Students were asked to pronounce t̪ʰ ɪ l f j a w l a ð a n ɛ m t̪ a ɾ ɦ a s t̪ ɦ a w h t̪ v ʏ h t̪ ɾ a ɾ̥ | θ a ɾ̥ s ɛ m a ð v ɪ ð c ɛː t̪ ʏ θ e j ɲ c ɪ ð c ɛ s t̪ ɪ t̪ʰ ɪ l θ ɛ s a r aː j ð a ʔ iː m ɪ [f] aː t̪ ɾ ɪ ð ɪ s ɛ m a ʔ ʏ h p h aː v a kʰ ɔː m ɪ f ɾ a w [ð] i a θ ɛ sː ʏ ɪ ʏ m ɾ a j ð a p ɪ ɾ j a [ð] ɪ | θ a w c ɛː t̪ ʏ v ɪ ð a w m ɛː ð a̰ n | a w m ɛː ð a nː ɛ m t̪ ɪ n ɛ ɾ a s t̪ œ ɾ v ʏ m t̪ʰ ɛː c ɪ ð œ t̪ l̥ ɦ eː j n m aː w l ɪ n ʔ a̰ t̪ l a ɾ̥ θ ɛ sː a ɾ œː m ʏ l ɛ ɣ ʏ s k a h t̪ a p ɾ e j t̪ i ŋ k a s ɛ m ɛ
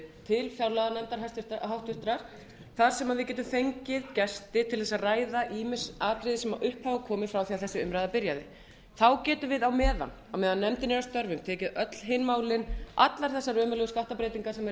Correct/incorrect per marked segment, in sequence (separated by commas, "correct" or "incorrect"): incorrect, incorrect, correct